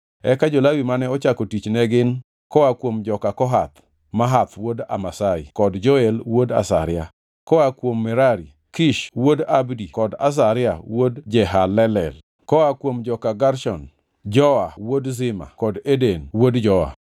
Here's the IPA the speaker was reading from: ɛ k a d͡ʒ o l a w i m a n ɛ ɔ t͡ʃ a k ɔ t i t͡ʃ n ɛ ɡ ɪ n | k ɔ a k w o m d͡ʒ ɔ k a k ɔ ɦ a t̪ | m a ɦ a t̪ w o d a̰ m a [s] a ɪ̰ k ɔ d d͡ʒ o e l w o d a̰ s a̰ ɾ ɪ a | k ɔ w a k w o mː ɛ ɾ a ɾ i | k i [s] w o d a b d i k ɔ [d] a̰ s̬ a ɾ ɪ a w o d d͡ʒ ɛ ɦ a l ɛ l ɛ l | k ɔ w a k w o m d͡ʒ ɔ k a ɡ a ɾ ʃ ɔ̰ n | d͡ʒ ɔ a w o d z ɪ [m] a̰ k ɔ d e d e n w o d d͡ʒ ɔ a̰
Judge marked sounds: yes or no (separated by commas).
yes, no, yes, yes